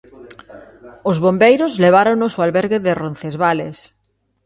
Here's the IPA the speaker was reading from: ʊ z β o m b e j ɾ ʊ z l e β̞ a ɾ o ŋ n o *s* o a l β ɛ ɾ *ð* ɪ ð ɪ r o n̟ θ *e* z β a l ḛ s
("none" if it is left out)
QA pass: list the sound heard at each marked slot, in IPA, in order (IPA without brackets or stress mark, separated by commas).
s, ɣ, e